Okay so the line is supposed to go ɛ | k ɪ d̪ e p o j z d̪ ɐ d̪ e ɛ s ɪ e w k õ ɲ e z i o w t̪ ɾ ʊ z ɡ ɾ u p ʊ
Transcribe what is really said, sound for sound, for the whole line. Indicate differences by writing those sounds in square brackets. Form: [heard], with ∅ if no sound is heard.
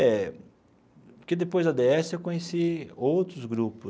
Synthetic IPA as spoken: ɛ | k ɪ d̪ e p o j z d̪ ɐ d̪ e ɛ s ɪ e w k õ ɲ e [s] i o w t̪ ɾ ʊ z ɡ ɾ u p ʊ

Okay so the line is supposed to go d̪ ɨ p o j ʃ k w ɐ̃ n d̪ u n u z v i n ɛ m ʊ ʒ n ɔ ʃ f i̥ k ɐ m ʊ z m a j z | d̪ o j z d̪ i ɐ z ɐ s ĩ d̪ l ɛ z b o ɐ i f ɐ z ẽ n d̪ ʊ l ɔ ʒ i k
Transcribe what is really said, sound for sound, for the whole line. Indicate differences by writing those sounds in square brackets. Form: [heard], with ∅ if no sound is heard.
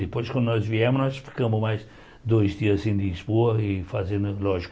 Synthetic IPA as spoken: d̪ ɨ p o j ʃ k w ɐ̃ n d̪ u n [ɔ] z v i [∅] ɛ m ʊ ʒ n ɔ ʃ f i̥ k ɐ m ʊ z m a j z | d̪ o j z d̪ i ɐ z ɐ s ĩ d̪ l [i] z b o ɐ i f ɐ z ẽ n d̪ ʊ l ɔ ʒ i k

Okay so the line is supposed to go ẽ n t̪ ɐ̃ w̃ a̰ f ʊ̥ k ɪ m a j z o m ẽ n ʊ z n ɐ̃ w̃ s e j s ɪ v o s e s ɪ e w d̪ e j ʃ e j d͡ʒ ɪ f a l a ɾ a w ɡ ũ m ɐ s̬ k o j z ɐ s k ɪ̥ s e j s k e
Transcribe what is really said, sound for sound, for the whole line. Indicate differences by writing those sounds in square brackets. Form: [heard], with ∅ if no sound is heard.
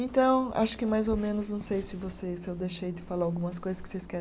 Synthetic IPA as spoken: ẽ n t̪ ɐ̃ w̃ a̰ [ʃ] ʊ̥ k ɪ m a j z o m ẽ n ʊ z n ɐ̃ w̃ s e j s ɪ v o s e s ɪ e w d̪ e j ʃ e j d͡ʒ ɪ f a l a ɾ a w ɡ ũ m ɐ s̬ k o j z ɐ s k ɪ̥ s e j s k [ɛ]

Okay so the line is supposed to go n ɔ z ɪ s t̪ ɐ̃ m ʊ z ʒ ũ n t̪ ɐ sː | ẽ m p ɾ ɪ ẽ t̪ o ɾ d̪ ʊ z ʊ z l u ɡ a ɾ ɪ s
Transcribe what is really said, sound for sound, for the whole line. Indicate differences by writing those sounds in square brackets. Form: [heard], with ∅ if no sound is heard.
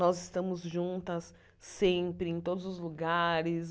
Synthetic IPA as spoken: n ɔ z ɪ s t̪ ɐ̃ m ʊ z ʒ ũ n t̪ ɐ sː | ẽ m p ɾ ɪ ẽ t̪ o [∅] d̪ ʊ z ʊ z l u ɡ a ɾ ɪ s

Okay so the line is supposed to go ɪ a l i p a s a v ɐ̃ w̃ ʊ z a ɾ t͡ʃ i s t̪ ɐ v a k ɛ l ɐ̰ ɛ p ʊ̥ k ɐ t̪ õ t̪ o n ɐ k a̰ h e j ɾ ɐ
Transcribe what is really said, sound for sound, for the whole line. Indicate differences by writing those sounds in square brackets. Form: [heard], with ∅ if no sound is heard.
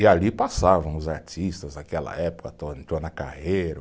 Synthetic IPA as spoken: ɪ a l i p a s a v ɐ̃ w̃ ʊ z a ɾ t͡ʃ i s t̪ ɐ [z] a k ɛ l ɐ̰ ɛ p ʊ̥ k ɐ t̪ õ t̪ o n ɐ k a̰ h e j ɾ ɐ

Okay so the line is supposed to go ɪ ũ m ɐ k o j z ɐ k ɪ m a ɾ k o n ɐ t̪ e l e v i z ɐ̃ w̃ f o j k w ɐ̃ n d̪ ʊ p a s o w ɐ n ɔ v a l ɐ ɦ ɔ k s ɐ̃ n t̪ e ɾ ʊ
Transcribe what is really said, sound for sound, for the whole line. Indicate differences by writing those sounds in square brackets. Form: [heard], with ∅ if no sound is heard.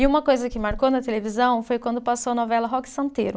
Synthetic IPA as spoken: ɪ ũ m ɐ k o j z ɐ k ɪ m a ɾ k o n ɐ t̪ e l e v i z ɐ̃ w̃ f o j k w ɐ̃ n d̪ ʊ p a s o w ɐ n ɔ v [ɛ] l ɐ ɦ ɔ k s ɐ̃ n t̪ e ɾ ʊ

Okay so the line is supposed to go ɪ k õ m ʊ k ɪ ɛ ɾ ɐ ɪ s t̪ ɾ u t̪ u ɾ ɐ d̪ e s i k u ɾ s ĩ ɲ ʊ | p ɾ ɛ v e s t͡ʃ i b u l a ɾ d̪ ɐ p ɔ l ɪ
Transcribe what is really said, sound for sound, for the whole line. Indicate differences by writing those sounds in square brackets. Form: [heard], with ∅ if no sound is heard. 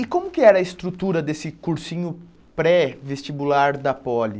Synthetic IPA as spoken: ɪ k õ m ʊ k ɪ ɛ ɾ ɐ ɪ s t̪ ɾ u t̪ u ɾ ɐ d̪ e s [ɪ] k u ɾ s ĩ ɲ ʊ | p ɾ ɛ v e s t͡ʃ i b u l a ɾ d̪ ɐ p ɔ l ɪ

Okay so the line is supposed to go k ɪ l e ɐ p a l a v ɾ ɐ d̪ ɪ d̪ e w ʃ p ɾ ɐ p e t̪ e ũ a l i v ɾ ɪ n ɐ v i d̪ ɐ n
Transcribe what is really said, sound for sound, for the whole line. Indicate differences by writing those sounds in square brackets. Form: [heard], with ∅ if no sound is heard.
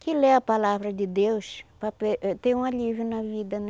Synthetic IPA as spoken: k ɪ l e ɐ p a l a v ɾ ɐ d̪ ɪ d̪ e w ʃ p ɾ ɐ p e t̪ e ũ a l i v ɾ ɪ n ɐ v i d̪ ɐ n

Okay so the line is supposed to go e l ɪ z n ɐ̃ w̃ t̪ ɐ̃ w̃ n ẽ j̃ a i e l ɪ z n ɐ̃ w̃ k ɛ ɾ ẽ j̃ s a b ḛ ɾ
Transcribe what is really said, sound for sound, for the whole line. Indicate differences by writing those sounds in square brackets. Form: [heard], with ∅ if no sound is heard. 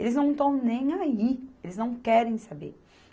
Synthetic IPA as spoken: e l ɪ z n ɐ̃ w̃ t̪ ɐ̃ w̃ n ẽ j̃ a i e l ɪ z n ɐ̃ w̃ k ɛ ɾ ẽ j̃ s a b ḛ ɾ

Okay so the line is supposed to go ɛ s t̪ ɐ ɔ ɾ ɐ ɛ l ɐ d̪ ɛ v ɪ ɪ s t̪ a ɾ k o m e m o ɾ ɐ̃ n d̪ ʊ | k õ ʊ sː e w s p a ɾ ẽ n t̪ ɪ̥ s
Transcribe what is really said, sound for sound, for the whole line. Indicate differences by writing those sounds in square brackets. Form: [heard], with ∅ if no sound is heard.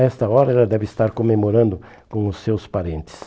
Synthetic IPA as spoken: ɛ s t̪ ɐ ɔ ɾ ɐ ɛ l ɐ d̪ ɛ v ɪ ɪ s t̪ a ɾ k o m e m o ɾ ɐ̃ n d̪ ʊ | k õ ʊ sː e w s p a ɾ ẽ n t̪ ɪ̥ s

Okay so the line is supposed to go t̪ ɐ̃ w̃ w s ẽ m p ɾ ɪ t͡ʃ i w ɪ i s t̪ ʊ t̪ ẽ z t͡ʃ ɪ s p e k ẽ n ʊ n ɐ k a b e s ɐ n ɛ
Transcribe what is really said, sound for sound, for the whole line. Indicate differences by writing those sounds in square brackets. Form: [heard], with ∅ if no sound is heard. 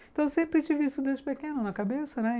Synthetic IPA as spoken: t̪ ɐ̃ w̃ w s ẽ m p ɾ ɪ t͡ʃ i [v] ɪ i s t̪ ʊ [d̪] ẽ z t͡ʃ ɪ [∅] p e k ẽ n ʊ n ɐ k a b e s ɐ n ɛ

